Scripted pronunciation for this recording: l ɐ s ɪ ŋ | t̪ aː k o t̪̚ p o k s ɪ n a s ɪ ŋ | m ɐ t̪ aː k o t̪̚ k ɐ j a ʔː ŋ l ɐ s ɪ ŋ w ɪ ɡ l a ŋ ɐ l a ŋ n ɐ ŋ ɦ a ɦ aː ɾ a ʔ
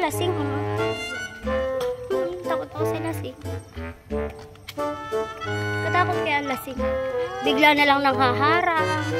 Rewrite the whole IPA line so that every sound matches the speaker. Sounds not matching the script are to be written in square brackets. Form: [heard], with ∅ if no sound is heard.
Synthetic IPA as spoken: l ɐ s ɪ ŋ | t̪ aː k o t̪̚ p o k s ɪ n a s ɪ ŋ | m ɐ t̪ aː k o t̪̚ k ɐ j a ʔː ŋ l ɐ s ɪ ŋ [b] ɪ ɡ l a [n] ɐ l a ŋ n ɐ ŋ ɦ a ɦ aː ɾ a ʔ